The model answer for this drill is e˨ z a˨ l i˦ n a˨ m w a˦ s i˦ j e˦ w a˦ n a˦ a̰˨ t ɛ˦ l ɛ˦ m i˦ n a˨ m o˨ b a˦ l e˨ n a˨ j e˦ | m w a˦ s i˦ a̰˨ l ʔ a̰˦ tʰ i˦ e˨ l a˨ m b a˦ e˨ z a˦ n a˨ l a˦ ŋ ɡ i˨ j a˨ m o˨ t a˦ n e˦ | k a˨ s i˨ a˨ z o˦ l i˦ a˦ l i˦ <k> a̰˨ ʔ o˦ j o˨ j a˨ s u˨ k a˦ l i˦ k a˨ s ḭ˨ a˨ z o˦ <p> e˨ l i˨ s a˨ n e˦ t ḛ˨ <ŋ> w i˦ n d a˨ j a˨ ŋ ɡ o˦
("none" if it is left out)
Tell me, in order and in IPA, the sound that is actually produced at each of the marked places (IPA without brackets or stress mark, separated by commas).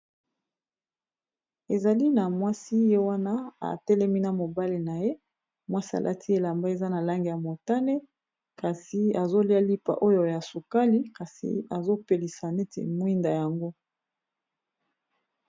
p, p, m